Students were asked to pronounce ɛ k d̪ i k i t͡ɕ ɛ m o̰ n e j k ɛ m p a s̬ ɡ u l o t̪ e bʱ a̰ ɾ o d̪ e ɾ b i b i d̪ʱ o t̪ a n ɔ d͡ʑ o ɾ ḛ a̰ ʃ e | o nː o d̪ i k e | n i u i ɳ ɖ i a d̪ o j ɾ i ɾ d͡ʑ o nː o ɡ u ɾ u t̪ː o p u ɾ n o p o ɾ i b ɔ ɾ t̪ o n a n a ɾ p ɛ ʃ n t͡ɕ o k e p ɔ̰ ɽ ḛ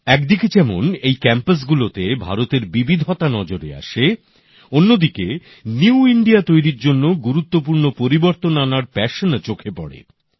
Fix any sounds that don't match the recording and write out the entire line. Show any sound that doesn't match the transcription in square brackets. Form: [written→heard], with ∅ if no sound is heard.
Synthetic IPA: ɛ k d̪ i k [i→e] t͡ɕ ɛ m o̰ n e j k ɛ m p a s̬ ɡ u l o t̪ e bʱ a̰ ɾ o [d̪→t̪] e ɾ b i b i d̪ʱ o t̪ a n ɔ d͡ʑ o ɾ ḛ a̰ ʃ e | o nː o d̪ i k e | n i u i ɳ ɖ i a [d̪→t̪] o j ɾ i ɾ d͡ʑ o nː o ɡ u ɾ u t̪ː o p u ɾ n o p o ɾ i b [ɔ→o] ɾ t̪ o n a n a ɾ p ɛ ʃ n t͡ɕ o [k→kʰ] e p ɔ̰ ɽ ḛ